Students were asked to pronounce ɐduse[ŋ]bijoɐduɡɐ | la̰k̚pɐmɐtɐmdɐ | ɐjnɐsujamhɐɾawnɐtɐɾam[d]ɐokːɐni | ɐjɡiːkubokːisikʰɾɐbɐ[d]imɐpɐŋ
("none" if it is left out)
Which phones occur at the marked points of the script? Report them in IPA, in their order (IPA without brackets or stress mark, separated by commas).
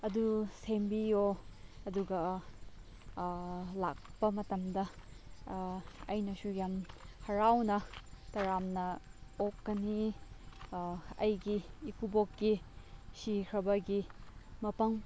m, n, ɡ